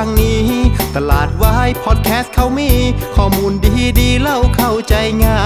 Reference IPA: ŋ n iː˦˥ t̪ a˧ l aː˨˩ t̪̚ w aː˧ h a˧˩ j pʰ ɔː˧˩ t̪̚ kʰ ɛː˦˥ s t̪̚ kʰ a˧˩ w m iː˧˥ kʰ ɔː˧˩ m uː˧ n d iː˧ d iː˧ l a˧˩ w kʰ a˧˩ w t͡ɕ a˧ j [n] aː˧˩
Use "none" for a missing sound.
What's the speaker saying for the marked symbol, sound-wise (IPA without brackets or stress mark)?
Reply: ŋ